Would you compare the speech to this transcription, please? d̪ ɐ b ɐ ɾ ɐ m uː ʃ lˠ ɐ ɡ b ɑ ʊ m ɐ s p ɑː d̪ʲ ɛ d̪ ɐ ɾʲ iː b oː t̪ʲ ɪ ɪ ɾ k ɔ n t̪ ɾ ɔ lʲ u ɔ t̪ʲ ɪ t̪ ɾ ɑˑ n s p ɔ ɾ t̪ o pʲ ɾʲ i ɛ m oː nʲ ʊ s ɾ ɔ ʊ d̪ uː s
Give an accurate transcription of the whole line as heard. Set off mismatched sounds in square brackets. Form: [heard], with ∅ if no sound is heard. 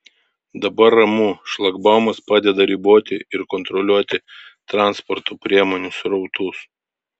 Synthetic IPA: d̪ ɐ b ɐ ɾ ɐ m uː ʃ lˠ ɐ ɡ b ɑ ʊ m ɐ s p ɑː d̪ʲ ɛ d̪ ɐ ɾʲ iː b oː t̪ʲ ɪ ɪ ɾ k ɔ n t̪ ɾ ɔ lʲ u ɔ t̪ʲ ɪ t̪ ɾ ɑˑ n s p ɔ ɾ t̪ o pʲ ɾʲ i ɛ m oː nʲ ʊ s ɾ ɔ ʊ [t̪] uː s

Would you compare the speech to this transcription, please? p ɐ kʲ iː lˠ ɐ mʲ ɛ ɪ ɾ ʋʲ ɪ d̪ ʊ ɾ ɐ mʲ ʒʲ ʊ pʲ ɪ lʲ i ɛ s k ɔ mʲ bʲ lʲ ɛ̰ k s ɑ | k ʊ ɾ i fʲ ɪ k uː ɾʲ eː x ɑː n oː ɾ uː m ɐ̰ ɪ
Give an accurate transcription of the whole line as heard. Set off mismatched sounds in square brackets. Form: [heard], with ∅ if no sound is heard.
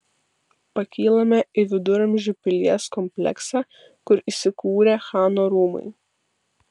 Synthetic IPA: p ɐ kʲ iː lˠ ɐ mʲ ɛ ɪ [∅] ʋʲ ɪ d̪ ʊ ɾ ɐ mʲ ʒʲ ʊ pʲ ɪ lʲ i ɛ s k ɔ mʲ [pʲ] lʲ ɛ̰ k s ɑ | k ʊ ɾ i [sʲ] ɪ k uː ɾʲ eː x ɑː n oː ɾ uː m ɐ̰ ɪ

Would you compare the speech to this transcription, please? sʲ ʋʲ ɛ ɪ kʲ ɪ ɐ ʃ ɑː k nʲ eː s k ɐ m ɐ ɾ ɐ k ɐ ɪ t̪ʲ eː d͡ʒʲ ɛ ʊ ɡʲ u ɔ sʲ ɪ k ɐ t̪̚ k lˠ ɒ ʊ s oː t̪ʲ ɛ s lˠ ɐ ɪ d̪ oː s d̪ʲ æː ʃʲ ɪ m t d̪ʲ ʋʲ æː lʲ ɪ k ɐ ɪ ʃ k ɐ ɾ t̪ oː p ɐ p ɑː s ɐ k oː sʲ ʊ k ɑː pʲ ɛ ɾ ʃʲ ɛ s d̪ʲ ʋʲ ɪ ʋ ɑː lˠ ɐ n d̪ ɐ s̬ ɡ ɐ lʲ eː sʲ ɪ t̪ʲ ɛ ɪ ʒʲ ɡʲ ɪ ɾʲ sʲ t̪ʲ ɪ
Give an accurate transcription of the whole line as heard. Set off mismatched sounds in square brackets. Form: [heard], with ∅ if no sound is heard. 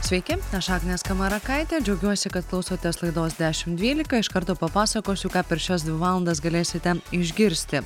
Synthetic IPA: sʲ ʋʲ ɛ ɪ kʲ ɪ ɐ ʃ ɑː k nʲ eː s k ɐ m ɐ ɾ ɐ k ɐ ɪ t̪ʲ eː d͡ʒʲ ɛ ʊ ɡʲ u ɔ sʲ ɪ k ɐ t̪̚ k lˠ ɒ ʊ s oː t̪ʲ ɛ s lˠ ɐ ɪ d̪ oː s d̪ʲ æː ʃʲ ɪ m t d̪ʲ ʋʲ [iː] lʲ ɪ k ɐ ɪ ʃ k ɐ ɾ t̪ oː p ɐ p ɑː s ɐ k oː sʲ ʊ k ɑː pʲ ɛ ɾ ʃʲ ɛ s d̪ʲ ʋʲ ɪ ʋ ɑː lˠ ɐ n d̪ ɐ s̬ ɡ ɐ lʲ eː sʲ ɪ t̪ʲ ɛ ɪ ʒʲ ɡʲ ɪ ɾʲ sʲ t̪ʲ ɪ

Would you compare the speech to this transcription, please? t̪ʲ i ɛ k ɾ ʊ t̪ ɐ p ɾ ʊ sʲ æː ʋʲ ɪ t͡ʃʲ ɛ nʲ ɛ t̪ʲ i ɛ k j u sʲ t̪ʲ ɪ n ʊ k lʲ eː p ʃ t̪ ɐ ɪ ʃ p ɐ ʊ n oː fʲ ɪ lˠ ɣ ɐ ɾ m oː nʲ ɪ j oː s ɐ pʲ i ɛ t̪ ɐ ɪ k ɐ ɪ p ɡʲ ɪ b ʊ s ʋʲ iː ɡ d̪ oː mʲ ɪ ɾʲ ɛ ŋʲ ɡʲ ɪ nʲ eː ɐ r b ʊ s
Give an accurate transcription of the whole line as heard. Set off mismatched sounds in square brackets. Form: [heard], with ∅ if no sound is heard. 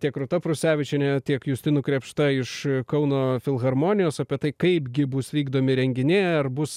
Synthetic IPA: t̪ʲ i ɛ k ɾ ʊ t̪ ɐ p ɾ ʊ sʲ æː ʋʲ ɪ t͡ʃʲ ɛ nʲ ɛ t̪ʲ i ɛ k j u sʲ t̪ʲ ɪ n ʊ k [ɾʲ] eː p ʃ t̪ ɐ ɪ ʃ [k] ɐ ʊ n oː fʲ ɪ lˠ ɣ ɐ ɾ m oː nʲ ɪ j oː s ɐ pʲ i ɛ t̪ ɐ ɪ k ɐ ɪ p ɡʲ ɪ b ʊ s ʋʲ iː ɡ d̪ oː mʲ ɪ ɾʲ ɛ ŋʲ ɡʲ ɪ nʲ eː ɐ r b ʊ s

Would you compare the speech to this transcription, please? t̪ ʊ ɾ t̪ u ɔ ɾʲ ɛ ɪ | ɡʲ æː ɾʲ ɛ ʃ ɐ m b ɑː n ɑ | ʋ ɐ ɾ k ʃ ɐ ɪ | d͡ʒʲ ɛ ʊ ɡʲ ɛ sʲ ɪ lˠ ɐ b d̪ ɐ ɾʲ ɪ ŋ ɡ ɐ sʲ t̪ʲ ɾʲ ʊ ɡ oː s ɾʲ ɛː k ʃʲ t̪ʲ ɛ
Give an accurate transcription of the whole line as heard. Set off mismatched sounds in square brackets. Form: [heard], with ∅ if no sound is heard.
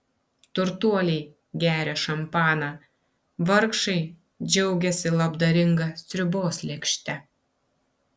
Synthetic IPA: t̪ ʊ ɾ t̪ u ɔ [lʲ] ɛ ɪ | ɡʲ æː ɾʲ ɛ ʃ ɐ m [p] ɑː n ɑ | ʋ ɐ ɾ k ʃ ɐ ɪ | d͡ʒʲ ɛ ʊ ɡʲ ɛ sʲ ɪ lˠ ɐ b d̪ ɐ ɾʲ ɪ ŋ ɡ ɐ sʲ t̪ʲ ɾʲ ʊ [b] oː s [lʲ] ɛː k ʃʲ t̪ʲ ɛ

